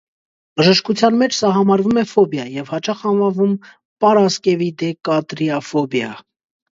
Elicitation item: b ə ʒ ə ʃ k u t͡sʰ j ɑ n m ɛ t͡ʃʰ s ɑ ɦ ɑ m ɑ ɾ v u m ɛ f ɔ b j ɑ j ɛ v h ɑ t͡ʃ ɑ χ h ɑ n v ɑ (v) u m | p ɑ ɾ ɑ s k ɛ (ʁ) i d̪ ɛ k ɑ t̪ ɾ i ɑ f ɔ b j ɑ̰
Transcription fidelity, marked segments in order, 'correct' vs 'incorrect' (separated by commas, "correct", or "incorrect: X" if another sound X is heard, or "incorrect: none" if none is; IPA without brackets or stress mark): correct, incorrect: v